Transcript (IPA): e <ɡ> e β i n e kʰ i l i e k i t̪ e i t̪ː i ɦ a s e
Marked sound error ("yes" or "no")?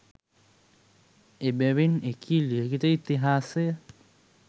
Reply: yes